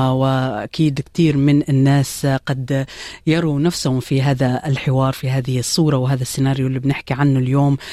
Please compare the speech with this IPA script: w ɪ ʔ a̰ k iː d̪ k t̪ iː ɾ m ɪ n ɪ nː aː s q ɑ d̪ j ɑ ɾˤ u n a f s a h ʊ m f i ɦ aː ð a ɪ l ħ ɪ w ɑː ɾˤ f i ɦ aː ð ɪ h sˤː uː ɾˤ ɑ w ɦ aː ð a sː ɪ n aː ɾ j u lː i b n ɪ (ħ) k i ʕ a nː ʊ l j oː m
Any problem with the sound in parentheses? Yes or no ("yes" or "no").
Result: no